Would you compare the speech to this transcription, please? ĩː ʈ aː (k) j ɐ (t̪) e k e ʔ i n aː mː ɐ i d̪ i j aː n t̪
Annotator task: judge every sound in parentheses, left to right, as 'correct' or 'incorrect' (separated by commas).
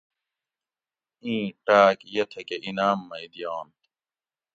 correct, incorrect